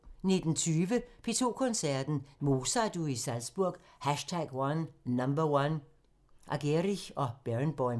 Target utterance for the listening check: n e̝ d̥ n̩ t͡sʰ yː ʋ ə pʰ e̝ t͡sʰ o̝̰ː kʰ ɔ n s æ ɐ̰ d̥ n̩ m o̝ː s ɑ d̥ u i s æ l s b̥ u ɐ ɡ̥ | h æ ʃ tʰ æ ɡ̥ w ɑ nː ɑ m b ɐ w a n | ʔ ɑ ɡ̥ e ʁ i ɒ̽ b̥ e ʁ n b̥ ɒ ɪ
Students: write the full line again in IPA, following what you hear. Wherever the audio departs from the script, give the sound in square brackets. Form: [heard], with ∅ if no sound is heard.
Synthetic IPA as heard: n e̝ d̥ n̩ t͡sʰ yː ʋ ə pʰ e̝ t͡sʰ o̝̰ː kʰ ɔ n s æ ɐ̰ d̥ n̩ m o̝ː s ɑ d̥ u i s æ l s b̥ u ɐ ɡ̥ | h æ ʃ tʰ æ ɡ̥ w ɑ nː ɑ m b ɐ w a n | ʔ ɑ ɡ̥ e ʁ i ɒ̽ b̥ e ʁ n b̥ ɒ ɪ